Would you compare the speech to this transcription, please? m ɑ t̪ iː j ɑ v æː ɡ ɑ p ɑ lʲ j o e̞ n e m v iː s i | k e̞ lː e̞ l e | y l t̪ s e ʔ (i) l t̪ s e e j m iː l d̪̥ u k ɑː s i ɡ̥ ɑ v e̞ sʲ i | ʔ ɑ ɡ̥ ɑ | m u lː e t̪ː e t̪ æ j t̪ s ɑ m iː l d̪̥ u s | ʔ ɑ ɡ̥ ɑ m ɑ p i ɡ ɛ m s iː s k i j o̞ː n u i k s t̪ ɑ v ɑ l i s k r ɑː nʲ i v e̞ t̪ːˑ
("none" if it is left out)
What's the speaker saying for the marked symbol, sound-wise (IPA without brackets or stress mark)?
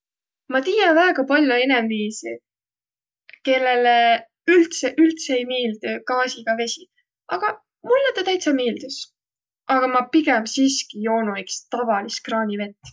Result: y